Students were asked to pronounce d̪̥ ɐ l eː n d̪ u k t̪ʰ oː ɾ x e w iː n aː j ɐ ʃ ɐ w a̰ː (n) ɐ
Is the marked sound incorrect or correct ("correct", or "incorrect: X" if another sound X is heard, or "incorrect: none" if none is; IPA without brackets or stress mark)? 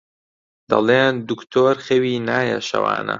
correct